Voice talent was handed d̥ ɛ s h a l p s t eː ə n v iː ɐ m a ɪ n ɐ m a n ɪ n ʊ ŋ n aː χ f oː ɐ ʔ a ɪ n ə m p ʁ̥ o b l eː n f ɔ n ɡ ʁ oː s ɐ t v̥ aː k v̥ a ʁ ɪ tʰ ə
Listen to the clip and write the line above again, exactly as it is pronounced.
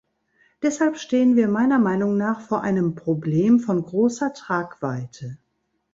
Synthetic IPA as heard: d̥ ɛ s h a l p ʃ t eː ə n v iː ɐ m a ɪ n ɐ m a ɪ n ʊ ŋ n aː χ f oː ɐ ʔ a ɪ n ə m p ʁ̥ o b l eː m f ɔ n ɡ ʁ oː s ɐ t ʁ̥ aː k v̥ a ɪ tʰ ə